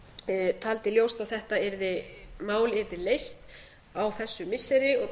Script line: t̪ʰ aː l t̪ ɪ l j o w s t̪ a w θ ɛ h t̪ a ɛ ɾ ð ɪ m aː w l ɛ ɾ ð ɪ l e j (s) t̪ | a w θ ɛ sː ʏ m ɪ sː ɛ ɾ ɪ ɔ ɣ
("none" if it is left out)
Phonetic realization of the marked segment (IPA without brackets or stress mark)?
s